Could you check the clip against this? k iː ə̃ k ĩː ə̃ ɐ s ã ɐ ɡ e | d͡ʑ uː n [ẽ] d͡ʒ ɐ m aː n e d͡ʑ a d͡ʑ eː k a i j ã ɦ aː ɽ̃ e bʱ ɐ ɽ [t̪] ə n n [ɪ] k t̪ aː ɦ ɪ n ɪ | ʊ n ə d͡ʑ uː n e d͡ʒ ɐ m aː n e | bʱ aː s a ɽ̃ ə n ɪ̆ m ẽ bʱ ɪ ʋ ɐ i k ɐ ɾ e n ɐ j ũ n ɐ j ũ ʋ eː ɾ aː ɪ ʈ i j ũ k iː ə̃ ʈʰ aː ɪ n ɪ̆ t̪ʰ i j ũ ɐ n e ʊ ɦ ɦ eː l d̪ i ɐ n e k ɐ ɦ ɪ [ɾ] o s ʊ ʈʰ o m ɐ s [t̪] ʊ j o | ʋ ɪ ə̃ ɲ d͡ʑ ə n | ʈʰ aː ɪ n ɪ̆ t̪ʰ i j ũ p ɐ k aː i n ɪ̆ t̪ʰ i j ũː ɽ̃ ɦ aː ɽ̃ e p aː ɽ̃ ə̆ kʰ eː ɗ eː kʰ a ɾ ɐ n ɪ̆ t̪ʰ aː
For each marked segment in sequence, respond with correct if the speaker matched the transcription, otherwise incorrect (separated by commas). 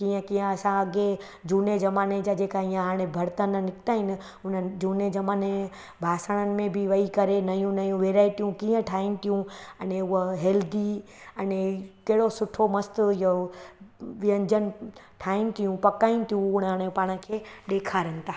incorrect, correct, correct, incorrect, correct